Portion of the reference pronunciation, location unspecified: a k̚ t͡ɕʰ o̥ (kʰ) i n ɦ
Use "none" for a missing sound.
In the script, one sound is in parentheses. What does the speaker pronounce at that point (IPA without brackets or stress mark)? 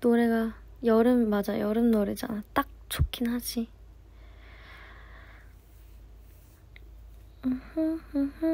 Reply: kʰ